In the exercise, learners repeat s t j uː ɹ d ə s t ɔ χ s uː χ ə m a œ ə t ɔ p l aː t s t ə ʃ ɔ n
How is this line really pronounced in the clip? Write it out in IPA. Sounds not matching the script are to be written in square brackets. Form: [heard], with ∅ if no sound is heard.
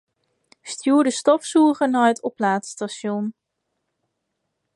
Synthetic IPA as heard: s t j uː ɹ d ə s t ɔ [f] s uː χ ə [n] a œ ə t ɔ p l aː t s t [a] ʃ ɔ n